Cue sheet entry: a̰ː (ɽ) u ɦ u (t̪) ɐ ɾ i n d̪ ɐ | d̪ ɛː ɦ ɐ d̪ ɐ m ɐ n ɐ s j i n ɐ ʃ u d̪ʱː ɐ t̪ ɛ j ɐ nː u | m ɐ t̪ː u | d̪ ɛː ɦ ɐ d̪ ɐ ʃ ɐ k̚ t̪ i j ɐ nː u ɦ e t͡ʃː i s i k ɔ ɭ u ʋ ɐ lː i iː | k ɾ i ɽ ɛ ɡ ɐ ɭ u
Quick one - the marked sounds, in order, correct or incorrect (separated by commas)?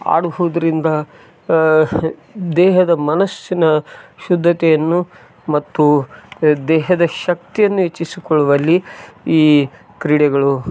correct, incorrect